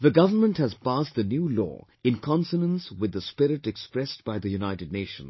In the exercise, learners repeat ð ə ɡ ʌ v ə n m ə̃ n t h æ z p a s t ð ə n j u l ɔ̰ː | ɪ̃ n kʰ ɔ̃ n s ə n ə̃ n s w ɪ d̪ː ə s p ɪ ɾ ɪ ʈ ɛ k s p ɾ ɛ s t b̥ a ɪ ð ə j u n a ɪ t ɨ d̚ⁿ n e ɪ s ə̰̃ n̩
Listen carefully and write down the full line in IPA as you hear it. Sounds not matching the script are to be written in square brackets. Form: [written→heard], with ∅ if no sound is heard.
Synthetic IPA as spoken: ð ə ɡ ʌ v ə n m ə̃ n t h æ z p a s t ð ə n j u l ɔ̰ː | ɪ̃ n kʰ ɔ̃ n s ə n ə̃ n s w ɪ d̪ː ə s p ɪ ɾ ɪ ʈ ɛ k s p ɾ ɛ s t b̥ a ɪ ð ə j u n a ɪ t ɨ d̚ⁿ n e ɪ [s→ʃ] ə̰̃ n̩